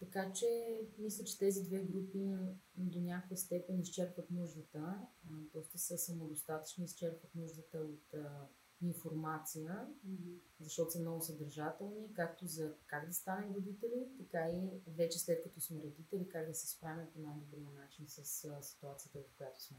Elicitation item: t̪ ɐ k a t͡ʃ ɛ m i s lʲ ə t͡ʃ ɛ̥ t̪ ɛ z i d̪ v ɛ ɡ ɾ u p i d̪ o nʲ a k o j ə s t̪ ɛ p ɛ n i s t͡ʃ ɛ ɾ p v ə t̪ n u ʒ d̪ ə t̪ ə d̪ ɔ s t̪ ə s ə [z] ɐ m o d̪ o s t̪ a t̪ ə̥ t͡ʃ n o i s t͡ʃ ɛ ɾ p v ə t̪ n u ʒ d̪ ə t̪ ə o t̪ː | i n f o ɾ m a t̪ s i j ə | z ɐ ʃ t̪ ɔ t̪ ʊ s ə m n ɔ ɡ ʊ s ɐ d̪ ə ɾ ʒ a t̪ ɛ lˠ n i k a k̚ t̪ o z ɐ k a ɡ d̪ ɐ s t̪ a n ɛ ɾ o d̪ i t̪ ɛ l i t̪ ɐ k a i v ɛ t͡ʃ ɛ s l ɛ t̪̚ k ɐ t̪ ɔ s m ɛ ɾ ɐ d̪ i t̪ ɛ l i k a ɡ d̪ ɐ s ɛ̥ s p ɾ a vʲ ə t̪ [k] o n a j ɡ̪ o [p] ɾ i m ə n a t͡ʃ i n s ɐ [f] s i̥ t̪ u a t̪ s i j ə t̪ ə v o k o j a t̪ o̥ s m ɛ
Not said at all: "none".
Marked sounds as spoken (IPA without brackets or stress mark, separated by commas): s, p, b, s